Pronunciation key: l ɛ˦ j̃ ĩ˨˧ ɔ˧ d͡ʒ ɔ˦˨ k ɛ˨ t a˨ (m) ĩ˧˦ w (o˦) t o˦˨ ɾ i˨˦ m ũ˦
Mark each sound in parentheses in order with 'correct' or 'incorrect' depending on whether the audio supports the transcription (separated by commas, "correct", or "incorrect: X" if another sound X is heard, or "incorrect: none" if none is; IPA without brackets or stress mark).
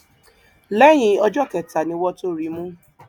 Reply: incorrect: n, incorrect: ɔ˦